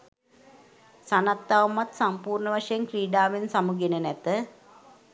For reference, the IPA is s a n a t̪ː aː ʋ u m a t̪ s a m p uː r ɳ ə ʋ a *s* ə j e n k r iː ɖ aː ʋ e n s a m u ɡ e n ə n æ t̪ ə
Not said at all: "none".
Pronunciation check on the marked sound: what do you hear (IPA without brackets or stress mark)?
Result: ʂ